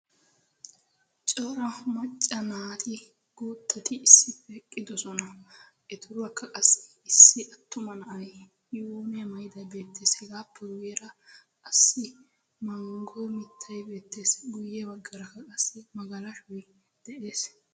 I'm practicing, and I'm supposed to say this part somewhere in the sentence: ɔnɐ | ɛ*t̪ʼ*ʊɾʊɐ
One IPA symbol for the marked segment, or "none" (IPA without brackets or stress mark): t̪